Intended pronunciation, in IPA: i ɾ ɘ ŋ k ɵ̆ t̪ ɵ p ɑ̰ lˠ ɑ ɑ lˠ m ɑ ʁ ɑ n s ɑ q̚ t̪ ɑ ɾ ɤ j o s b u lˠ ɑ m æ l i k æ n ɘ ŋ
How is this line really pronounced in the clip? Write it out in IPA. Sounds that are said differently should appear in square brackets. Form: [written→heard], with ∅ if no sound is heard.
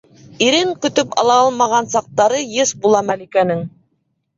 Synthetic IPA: i ɾ ɘ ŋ k ɵ̆ t̪ ɵ p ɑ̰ lˠ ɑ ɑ lˠ m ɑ ʁ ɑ n s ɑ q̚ t̪ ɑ ɾ ɤ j [o→ɤ] s b u lˠ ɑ m æ l i k æ n ɘ ŋ

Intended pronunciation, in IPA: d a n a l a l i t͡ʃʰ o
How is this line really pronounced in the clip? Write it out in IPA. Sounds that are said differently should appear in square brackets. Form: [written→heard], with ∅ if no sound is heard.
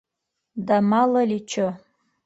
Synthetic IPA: d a [n→m] a l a l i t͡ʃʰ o

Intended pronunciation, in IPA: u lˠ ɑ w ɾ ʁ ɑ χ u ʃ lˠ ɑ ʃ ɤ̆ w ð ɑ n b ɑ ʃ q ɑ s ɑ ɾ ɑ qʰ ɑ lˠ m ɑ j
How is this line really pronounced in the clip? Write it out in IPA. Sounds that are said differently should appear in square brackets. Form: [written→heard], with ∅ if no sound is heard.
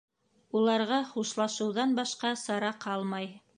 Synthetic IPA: u lˠ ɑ [w→∅] ɾ ʁ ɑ χ u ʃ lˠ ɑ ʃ ɤ̆ w ð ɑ n b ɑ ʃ q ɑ s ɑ ɾ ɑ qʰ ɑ lˠ m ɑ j

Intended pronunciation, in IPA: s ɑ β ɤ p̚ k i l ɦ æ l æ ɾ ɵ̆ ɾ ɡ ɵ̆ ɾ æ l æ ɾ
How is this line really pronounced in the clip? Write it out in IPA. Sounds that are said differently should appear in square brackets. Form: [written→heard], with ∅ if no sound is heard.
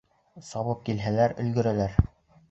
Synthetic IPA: s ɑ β ɤ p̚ k i l ɦ æ l æ ɾ ɵ̆ [ɾ→l] ɡ ɵ̆ ɾ æ l æ ɾ

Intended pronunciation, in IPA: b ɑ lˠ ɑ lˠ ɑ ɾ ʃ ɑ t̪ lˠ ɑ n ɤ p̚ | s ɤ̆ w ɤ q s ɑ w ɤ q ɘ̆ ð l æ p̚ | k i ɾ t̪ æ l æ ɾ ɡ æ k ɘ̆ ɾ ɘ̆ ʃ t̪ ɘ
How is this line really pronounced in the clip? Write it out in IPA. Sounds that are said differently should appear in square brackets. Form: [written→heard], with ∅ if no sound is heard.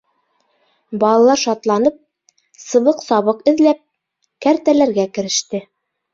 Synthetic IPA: b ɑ lˠ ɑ lˠ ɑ ɾ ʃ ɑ t̪ lˠ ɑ n ɤ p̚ | s ɤ̆ [w→β] ɤ q s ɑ [w→β] ɤ q ɘ̆ ð l æ p̚ | k [i→æ] ɾ t̪ æ l æ ɾ ɡ æ k ɘ̆ ɾ ɘ̆ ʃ t̪ ɘ

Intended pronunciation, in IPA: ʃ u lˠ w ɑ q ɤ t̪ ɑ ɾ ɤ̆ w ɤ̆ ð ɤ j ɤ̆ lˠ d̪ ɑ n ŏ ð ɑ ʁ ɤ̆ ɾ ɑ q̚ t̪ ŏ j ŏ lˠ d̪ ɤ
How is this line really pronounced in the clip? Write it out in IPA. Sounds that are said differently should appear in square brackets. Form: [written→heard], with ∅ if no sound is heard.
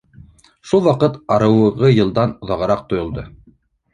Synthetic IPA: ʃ u lˠ w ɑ q ɤ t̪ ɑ ɾ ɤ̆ w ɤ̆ [ð→ʁ] ɤ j ɤ̆ lˠ d̪ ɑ n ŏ ð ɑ ʁ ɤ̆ ɾ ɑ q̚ t̪ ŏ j ŏ lˠ d̪ ɤ

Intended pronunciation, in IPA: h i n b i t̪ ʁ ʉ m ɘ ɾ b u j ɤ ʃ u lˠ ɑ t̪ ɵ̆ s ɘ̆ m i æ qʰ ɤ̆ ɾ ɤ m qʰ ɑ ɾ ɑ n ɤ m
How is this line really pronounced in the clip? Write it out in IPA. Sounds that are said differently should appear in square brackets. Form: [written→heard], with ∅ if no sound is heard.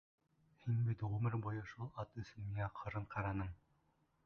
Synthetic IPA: h i n b i t̪ ʁ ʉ m ɘ ɾ b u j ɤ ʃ u lˠ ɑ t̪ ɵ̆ s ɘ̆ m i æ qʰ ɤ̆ ɾ ɤ [m→ɴ] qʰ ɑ ɾ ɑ n ɤ m

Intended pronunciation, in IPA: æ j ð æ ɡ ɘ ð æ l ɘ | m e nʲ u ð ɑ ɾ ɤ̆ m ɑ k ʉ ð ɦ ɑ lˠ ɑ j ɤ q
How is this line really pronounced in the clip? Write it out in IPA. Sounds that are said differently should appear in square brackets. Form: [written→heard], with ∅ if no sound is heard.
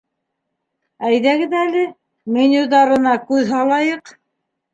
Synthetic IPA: æ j ð æ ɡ ɘ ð æ l ɘ | m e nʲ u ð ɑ ɾ ɤ̆ [m→n] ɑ k ʉ ð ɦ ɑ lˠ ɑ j ɤ q

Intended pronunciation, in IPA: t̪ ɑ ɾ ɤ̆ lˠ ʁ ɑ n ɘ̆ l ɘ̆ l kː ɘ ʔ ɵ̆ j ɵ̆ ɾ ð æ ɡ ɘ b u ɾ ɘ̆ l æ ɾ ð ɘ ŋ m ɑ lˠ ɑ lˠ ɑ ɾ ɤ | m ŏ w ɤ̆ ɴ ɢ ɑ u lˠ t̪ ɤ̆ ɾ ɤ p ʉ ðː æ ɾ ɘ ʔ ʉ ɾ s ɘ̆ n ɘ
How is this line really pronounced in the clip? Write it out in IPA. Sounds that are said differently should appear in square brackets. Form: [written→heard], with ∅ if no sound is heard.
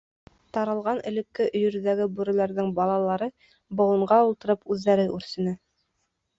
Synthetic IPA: t̪ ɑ ɾ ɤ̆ lˠ ʁ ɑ n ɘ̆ l ɘ̆ [l→∅] kː ɘ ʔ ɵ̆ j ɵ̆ ɾ ð æ ɡ ɘ b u ɾ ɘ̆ l æ ɾ ð ɘ ŋ [m→b] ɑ lˠ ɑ lˠ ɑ ɾ ɤ | [m→b] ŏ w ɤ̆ ɴ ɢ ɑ u lˠ t̪ ɤ̆ ɾ ɤ p ʉ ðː æ ɾ ɘ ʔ ʉ ɾ s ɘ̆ n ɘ

